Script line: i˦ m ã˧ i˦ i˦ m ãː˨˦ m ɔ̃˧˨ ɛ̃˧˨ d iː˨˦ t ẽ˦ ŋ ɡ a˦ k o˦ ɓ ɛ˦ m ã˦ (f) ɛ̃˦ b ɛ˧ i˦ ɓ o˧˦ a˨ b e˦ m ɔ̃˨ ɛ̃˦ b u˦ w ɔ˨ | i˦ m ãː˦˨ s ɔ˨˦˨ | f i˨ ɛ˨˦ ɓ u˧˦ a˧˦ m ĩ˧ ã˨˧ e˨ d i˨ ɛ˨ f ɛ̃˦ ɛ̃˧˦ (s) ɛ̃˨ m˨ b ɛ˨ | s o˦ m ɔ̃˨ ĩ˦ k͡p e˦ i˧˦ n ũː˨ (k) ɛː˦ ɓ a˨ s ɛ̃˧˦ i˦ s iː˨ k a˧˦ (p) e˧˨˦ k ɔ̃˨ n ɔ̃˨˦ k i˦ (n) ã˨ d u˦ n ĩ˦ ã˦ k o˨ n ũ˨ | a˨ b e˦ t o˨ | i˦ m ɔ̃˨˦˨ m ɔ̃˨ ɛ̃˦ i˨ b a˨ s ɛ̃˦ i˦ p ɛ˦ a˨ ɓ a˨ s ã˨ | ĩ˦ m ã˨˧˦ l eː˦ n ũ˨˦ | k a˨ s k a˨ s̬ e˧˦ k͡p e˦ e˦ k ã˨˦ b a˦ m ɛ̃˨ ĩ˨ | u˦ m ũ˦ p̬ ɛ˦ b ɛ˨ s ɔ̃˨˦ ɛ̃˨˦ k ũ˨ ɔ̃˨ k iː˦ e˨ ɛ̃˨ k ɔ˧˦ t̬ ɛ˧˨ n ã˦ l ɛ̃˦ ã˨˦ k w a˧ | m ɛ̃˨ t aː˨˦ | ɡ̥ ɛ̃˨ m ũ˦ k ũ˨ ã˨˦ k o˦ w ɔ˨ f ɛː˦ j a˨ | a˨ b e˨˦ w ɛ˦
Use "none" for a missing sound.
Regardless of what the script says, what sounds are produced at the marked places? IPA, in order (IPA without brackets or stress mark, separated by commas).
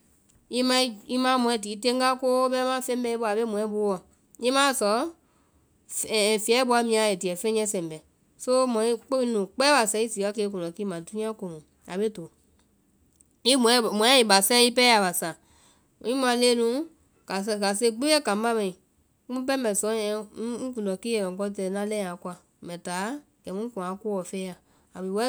f, s, k͡p, k, m